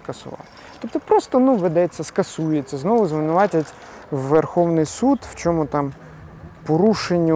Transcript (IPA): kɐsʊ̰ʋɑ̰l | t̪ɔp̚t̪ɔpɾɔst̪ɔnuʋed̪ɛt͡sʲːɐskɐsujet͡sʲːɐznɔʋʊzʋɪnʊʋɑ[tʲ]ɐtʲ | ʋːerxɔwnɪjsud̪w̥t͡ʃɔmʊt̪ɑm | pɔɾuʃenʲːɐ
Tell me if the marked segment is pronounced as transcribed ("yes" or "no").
yes